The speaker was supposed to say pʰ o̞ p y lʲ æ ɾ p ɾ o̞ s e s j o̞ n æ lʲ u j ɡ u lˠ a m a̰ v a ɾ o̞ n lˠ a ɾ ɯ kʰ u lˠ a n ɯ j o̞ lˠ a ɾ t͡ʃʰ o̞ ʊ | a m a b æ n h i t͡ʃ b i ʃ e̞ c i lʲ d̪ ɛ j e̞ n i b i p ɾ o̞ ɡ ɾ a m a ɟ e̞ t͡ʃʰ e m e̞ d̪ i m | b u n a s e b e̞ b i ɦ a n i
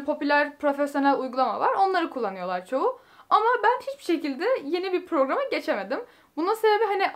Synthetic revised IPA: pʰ o̞ p y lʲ æ ɾ p ɾ o̞ f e s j o̞ n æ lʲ u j ɡ u lˠ a m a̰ v a ɾ o̞ n lˠ a ɾ ɯ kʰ u lˠː a n ɯ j o̞ lˠ a ɾ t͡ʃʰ o̞ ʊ | a m a b æ n h i t͡ʃ b i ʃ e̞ c i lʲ d̪ ɛ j e̞ n i b i p ɾ o̞ ɡ ɾ a m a ɟ e̞ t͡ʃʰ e m e̞ d̪ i m | b u n a s e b e̞ b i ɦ a n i